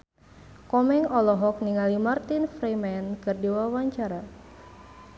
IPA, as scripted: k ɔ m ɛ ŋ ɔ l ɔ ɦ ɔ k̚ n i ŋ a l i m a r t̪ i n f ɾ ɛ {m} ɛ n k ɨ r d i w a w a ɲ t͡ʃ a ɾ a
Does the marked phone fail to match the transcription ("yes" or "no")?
no